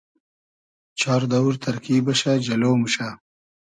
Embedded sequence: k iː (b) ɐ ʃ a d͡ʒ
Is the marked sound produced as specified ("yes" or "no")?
yes